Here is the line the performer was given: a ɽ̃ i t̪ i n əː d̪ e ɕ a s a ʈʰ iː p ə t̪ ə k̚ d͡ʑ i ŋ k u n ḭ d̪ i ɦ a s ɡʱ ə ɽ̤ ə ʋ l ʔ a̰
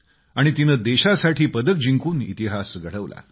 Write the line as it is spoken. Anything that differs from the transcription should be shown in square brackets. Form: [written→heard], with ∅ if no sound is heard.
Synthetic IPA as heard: a ɽ̃ i t̪ i n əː d̪ e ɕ a s a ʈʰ iː p ə [t̪→d̪] ə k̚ d͡ʑ i ŋ k [u→uː] n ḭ [d̪→t̪] i ɦ a s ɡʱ ə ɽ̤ ə ʋ l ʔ a̰